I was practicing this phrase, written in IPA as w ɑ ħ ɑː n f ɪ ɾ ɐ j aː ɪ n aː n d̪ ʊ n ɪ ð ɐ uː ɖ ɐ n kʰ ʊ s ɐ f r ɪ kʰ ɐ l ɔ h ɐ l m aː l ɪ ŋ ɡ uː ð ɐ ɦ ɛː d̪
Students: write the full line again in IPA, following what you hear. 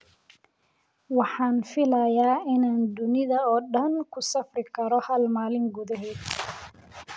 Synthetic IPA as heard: w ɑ ħ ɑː n f ɪ l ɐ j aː ɪ n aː n d̪ ʊ n ɪ ð ɐ ɔː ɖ ɐ n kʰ ʊ s ɐ f r ɪ kʰ ɐ ɾ ɔ h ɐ l m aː l ɪ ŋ ɡ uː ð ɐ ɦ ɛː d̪